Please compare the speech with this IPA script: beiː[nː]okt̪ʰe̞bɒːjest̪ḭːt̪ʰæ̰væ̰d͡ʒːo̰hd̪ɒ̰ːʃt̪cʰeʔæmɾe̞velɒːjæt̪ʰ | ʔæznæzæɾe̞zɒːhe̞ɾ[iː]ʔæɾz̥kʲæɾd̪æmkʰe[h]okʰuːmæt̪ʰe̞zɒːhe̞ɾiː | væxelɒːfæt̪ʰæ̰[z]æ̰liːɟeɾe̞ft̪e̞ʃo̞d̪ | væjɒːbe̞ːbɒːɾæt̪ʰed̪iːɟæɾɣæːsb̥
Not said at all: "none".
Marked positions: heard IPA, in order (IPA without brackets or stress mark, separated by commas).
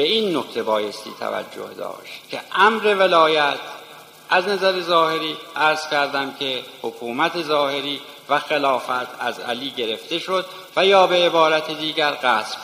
nː, iː, h, z